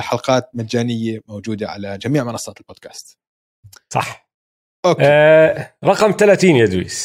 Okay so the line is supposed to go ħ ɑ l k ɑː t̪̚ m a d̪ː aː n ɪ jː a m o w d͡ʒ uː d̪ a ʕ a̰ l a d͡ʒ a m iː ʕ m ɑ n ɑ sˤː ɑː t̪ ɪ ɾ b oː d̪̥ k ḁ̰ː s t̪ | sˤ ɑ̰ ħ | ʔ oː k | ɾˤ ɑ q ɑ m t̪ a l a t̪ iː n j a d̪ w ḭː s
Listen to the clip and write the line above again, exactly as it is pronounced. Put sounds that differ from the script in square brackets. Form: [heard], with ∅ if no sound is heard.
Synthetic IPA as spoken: ħ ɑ l [q] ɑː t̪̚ m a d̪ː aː n ɪ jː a m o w d͡ʒ uː d̪ a ʕ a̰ l a d͡ʒ a m iː ʕ m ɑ n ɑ sˤː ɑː t̪ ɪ [l] b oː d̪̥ k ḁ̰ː s t̪ | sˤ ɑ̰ ħ | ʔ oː k | ɾˤ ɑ q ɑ m t̪ a l a t̪ iː n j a d̪ w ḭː s